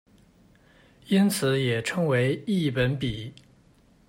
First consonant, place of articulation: alveolar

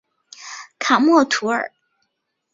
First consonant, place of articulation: velar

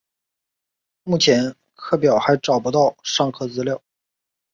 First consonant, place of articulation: labial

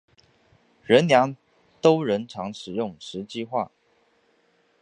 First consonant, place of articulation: retroflex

